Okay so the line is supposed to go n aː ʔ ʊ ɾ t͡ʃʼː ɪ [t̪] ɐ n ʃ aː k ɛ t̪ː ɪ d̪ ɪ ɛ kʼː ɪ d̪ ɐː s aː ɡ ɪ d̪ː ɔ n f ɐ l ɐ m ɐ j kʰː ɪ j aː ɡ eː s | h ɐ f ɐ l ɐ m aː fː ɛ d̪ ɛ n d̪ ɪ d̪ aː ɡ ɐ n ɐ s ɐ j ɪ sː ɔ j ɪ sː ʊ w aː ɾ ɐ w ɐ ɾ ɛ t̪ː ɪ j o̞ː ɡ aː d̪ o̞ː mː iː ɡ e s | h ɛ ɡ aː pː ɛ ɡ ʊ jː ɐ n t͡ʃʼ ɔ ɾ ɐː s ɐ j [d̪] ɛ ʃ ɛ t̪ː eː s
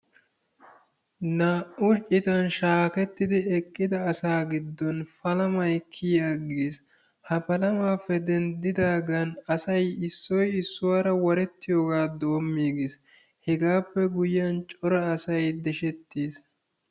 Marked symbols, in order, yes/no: yes, yes

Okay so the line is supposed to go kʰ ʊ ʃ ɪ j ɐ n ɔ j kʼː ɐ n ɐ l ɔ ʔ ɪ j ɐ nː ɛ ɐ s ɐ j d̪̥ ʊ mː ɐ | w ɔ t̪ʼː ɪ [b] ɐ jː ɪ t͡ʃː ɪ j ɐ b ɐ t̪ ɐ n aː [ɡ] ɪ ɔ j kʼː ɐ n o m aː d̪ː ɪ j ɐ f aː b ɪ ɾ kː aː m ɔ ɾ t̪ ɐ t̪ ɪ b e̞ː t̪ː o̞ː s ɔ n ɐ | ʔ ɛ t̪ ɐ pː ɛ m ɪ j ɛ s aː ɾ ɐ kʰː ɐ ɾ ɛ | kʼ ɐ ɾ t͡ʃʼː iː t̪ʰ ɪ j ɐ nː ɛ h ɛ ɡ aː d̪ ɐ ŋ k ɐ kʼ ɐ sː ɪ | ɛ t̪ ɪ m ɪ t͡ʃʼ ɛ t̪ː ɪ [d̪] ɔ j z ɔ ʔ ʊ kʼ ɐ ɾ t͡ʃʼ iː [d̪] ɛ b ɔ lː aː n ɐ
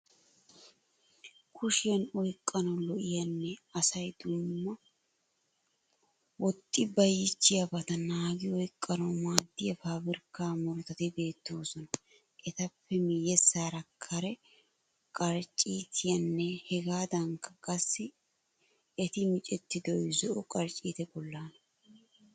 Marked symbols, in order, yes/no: yes, yes, yes, no

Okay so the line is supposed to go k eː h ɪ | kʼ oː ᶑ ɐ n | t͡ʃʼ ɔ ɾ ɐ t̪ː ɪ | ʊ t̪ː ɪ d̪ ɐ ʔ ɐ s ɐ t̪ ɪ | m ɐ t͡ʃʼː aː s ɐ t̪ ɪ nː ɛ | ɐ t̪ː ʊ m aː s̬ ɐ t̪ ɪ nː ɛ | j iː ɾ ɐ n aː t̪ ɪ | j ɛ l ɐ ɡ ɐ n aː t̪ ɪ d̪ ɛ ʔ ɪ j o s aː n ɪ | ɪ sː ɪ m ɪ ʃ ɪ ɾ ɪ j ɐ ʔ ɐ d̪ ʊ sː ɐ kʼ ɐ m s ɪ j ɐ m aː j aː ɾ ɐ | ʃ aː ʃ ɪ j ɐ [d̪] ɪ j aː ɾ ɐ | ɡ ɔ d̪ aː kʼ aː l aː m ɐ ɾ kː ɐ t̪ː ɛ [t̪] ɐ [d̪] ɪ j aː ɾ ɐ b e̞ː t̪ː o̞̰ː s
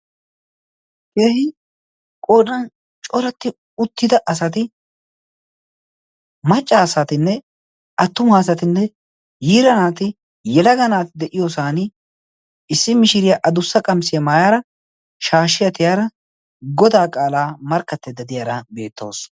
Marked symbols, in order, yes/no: no, no, yes

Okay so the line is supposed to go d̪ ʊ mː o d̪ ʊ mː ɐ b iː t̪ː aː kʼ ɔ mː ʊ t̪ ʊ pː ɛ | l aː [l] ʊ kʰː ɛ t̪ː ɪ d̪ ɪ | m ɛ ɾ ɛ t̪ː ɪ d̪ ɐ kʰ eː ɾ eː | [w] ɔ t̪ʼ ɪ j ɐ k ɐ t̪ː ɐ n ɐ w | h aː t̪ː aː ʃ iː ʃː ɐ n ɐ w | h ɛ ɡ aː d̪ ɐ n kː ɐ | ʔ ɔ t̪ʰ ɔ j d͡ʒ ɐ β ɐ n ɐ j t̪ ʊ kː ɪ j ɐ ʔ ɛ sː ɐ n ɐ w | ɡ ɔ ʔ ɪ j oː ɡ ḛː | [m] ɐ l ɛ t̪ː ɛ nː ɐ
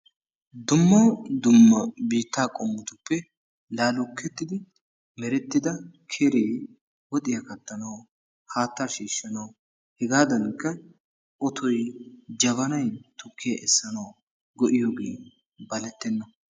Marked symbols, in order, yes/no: yes, yes, no

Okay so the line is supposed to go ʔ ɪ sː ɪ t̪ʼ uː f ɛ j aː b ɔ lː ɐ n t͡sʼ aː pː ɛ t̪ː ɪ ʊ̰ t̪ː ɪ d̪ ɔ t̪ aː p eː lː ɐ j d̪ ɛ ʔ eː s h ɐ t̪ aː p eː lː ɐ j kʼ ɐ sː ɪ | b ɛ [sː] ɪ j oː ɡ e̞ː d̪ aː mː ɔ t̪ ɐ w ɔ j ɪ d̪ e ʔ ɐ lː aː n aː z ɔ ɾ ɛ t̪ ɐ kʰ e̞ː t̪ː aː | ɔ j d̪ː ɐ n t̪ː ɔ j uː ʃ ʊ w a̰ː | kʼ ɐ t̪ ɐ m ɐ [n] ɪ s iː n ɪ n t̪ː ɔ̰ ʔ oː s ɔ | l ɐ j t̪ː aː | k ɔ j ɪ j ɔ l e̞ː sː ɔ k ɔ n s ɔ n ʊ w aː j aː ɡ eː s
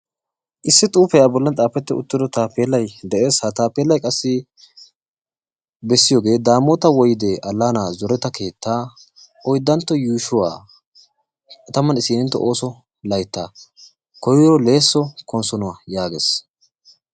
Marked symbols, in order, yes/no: yes, yes

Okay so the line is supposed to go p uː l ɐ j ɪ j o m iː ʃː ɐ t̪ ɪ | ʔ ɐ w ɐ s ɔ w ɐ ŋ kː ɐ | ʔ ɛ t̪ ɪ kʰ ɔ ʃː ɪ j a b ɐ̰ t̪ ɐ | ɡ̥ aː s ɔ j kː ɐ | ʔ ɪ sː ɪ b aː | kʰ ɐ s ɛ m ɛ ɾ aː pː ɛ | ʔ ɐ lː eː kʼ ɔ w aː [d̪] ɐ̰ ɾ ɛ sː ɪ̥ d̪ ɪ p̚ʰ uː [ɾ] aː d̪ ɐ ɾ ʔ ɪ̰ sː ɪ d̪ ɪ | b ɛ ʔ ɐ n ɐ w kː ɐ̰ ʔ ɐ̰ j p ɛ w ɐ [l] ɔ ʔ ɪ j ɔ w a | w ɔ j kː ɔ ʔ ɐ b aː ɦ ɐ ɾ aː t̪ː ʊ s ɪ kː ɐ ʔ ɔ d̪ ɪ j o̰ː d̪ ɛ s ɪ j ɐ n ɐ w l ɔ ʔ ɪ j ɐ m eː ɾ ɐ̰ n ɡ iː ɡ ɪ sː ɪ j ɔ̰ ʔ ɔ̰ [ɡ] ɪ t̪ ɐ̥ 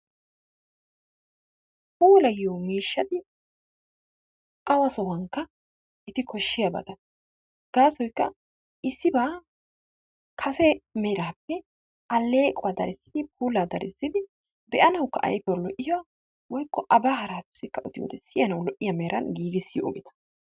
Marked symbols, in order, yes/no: yes, no, yes, yes

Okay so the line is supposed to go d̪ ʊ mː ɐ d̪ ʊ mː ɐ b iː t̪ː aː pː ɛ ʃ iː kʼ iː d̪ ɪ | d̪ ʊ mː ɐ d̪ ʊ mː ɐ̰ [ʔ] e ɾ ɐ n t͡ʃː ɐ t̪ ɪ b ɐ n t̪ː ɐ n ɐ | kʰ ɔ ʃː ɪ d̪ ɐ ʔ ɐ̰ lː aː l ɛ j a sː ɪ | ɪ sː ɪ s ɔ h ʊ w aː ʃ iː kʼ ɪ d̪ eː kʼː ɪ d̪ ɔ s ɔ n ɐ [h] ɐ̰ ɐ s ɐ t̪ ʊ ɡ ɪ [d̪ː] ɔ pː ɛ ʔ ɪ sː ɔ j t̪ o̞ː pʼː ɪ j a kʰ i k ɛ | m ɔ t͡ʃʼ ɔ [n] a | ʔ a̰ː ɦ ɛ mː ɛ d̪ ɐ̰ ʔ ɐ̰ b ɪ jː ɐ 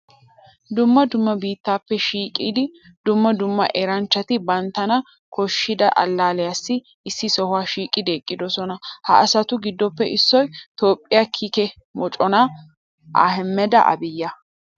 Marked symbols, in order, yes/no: yes, yes, yes, yes

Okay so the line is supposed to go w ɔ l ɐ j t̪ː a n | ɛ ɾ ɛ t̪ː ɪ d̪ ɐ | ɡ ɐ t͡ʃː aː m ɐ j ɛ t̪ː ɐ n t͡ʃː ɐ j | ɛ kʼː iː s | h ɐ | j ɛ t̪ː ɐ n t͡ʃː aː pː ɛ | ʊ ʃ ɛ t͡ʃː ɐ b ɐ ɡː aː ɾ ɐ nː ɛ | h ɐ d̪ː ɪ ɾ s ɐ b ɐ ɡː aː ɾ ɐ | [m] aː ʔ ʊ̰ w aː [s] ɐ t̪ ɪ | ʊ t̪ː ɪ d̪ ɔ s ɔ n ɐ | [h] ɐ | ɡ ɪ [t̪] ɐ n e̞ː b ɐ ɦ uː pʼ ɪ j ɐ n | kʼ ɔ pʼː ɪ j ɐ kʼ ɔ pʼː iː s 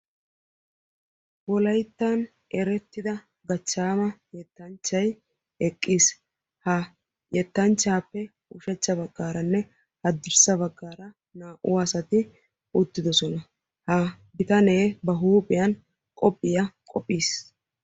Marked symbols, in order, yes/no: no, yes, yes, yes

